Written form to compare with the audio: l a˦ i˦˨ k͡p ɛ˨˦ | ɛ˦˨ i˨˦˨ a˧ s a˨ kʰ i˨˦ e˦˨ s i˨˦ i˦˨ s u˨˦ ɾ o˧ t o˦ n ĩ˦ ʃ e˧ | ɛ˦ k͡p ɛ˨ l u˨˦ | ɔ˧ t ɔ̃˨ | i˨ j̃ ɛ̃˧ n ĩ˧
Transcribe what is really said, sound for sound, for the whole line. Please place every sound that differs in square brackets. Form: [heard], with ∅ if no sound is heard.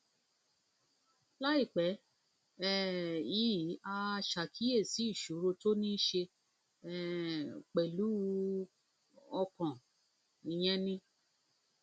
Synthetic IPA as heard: l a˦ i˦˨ k͡p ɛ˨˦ | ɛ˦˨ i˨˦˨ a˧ [ʃ] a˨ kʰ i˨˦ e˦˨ s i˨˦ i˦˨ [ʃ] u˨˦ ɾ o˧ t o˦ n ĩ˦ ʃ e˧ | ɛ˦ k͡p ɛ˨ l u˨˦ | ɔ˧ [k] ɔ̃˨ | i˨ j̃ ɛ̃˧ n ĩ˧